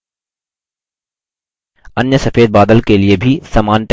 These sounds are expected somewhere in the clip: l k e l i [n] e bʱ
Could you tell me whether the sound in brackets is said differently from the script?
yes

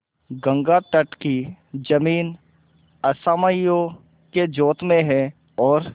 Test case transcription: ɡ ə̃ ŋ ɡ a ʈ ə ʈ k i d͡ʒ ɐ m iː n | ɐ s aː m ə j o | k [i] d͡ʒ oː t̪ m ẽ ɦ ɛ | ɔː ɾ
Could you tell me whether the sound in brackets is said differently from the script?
yes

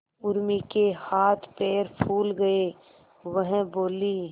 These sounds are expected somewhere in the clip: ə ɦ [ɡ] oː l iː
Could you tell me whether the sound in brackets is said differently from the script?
yes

